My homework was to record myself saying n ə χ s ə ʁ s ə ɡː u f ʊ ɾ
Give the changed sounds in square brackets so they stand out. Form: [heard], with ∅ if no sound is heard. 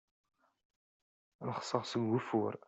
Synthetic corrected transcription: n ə χ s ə ʁ s ə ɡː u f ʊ ɾ